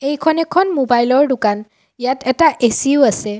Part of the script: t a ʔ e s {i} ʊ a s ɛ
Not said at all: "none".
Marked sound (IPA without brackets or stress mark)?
i